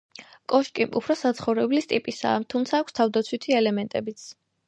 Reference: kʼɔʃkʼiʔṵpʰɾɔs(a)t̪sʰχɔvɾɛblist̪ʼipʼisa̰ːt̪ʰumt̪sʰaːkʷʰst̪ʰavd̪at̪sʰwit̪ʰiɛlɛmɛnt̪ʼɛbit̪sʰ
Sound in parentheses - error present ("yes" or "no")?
no